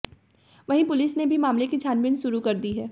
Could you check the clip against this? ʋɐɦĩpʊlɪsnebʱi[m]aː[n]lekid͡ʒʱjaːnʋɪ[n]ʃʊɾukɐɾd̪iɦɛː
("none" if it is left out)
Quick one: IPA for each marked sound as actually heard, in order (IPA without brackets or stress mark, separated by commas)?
m, m, n